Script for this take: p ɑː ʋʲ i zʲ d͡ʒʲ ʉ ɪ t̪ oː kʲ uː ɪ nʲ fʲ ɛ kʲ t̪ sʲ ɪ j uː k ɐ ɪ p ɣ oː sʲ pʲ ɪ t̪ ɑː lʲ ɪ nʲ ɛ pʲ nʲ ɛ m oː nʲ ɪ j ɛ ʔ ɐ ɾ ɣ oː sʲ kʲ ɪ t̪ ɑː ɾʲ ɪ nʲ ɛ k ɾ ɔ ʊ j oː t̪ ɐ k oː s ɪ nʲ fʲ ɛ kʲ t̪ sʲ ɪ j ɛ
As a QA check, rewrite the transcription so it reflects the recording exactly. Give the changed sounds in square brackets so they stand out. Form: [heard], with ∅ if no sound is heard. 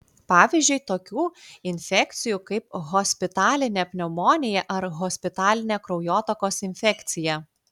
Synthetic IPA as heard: p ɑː ʋʲ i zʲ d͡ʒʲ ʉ ɪ t̪ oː kʲ uː ɪ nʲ fʲ ɛ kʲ t̪ sʲ ɪ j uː k ɐ ɪ p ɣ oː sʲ pʲ ɪ t̪ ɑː lʲ ɪ nʲ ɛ pʲ nʲ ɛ m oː nʲ ɪ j ɛ ʔ ɐ ɾ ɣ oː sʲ [pʲ] ɪ t̪ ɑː [lʲ] ɪ nʲ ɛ k ɾ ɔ ʊ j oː t̪ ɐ k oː s ɪ nʲ fʲ ɛ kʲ t̪ sʲ ɪ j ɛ